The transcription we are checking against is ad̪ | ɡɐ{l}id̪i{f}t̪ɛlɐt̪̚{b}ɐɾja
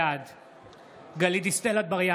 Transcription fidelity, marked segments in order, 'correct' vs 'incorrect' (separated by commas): correct, incorrect, correct